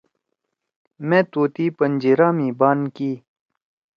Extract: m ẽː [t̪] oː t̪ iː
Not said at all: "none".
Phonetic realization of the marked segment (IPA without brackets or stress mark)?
t̪